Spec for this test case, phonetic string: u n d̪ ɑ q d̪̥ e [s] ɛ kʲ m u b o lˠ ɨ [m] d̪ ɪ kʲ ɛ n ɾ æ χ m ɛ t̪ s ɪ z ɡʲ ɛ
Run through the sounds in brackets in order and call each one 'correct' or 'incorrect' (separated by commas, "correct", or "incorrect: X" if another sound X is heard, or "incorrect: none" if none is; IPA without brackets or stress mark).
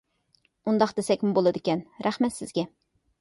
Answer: correct, incorrect: none